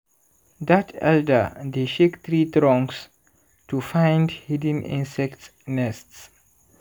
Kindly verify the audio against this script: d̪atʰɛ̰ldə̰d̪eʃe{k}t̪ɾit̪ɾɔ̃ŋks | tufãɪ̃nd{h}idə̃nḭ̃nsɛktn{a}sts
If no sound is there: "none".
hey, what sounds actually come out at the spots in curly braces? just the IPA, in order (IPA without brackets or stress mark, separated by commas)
k, h, ɛ